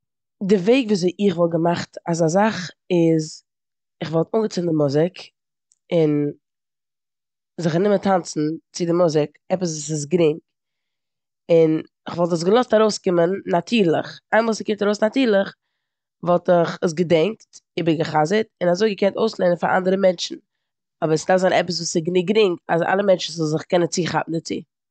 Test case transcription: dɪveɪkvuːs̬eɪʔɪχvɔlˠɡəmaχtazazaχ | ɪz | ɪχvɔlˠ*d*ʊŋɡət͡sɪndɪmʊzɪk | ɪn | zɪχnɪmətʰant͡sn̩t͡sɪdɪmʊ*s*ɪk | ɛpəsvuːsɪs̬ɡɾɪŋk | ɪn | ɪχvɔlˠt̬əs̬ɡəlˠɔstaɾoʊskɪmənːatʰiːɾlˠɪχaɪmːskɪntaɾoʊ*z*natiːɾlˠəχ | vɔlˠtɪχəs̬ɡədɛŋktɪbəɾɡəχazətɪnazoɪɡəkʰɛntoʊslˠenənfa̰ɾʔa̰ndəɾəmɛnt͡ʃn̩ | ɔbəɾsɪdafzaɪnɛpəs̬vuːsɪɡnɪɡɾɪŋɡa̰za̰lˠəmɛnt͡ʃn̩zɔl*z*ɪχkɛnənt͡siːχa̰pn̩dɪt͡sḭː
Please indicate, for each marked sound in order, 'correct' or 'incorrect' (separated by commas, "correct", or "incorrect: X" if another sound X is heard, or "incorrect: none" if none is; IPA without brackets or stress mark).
incorrect: t, incorrect: z, incorrect: s, correct